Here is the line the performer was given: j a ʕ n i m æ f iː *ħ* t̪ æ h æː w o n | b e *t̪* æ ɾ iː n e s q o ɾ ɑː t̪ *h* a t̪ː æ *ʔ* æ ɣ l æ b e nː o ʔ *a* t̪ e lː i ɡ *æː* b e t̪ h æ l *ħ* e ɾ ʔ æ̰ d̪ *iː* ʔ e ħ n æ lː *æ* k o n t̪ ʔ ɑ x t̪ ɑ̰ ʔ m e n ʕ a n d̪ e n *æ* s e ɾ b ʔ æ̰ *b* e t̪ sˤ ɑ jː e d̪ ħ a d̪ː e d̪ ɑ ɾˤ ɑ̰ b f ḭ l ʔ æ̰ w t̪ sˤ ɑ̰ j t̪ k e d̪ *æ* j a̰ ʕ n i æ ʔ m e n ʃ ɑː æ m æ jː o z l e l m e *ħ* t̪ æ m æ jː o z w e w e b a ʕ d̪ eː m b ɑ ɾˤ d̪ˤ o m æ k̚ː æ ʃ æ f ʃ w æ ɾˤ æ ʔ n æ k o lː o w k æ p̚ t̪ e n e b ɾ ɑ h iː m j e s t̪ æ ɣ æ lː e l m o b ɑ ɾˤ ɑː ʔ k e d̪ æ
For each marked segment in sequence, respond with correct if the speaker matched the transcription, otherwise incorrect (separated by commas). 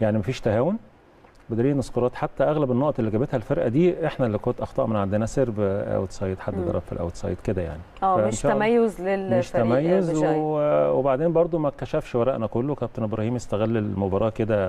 incorrect, incorrect, incorrect, correct, incorrect, incorrect, incorrect, correct, incorrect, correct, incorrect, correct, incorrect